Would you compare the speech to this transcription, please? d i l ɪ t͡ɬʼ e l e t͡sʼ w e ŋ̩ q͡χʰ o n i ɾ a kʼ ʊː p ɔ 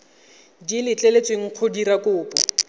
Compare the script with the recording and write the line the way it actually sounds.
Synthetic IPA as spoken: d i l ɪ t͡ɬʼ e l e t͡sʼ w e ŋ̩ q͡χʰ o d i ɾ a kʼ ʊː p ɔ